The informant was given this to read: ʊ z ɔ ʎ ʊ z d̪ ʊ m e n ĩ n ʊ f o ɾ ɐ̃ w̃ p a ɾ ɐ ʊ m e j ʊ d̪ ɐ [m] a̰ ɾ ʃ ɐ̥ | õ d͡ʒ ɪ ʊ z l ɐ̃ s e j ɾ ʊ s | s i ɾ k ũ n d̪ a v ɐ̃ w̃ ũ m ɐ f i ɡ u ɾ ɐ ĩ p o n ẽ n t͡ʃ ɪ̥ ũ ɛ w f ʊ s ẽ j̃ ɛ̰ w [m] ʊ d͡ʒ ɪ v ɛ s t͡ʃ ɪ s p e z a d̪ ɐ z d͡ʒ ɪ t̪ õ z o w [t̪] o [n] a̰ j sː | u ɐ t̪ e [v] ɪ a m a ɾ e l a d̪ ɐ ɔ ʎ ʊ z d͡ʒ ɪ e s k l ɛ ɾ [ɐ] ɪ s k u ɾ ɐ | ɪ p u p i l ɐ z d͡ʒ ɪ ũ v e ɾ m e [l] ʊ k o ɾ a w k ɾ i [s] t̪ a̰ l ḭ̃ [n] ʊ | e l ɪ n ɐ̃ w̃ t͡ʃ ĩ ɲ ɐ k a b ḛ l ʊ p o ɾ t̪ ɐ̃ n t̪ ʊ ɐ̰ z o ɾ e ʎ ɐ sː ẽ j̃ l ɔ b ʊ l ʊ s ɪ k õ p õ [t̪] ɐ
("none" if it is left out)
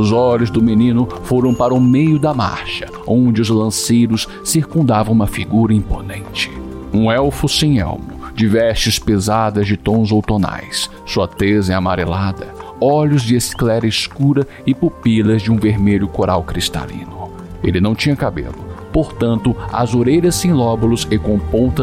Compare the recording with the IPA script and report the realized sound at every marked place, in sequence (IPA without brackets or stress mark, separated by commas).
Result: m, m, t̪, n, z, ɐ, ʎ, s, n, t̪